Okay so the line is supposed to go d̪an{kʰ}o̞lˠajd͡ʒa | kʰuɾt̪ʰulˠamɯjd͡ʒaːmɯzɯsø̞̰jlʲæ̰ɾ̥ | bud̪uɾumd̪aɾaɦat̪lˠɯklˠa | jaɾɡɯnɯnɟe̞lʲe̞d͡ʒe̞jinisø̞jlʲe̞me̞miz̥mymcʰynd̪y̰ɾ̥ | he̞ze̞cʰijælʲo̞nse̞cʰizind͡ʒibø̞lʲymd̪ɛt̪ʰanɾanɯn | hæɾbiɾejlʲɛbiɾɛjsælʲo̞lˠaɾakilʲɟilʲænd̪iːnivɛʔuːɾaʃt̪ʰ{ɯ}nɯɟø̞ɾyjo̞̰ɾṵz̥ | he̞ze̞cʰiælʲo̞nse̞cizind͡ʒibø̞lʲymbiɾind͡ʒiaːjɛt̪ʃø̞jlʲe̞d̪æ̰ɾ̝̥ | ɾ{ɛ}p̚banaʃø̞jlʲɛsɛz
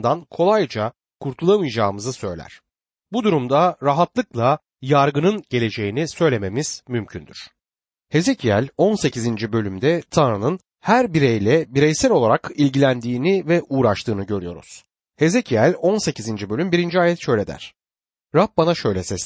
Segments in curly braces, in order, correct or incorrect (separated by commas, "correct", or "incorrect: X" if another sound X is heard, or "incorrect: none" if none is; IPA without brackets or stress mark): correct, incorrect: ɯː, incorrect: a